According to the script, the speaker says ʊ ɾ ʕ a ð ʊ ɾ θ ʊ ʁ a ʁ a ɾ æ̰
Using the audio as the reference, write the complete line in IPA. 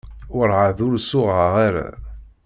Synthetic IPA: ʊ ɾ ʕ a ð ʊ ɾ s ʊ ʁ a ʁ a ɾ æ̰